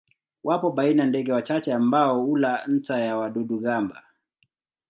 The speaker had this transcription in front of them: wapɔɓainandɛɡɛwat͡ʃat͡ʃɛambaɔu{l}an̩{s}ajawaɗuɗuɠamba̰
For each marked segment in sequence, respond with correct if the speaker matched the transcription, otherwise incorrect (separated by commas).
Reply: correct, incorrect